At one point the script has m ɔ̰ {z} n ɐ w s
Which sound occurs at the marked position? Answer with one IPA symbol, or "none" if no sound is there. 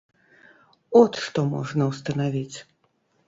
ʐ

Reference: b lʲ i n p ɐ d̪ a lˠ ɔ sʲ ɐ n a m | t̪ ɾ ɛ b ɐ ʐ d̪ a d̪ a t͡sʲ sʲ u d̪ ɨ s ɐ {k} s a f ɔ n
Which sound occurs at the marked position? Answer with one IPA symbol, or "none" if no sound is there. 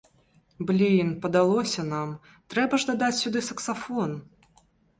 k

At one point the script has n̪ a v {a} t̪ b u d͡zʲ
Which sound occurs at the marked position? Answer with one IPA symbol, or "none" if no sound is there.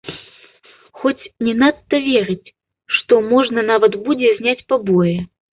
ɐ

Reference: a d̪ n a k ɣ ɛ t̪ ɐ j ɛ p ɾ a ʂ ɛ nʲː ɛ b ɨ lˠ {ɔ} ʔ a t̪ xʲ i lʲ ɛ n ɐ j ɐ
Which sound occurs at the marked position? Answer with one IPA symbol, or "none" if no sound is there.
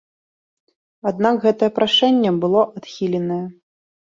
ɔ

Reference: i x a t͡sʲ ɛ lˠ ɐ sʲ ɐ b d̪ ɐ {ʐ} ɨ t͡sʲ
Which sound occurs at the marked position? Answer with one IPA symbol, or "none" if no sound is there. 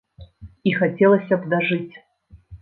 ʐ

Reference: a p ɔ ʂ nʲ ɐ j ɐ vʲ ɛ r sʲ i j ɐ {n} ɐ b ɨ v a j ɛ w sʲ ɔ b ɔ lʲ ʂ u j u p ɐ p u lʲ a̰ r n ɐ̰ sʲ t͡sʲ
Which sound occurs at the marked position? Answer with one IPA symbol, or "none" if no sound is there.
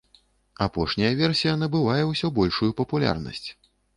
n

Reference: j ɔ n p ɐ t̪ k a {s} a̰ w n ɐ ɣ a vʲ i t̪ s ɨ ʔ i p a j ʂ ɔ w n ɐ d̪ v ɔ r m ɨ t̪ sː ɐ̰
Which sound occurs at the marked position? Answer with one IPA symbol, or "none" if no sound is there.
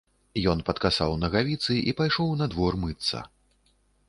s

